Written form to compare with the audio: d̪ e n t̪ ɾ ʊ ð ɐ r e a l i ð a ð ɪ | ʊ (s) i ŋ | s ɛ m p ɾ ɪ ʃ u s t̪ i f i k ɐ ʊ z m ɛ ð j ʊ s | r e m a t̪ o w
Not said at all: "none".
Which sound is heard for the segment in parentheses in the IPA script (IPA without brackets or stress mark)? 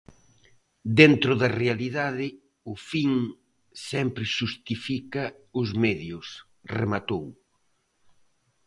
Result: f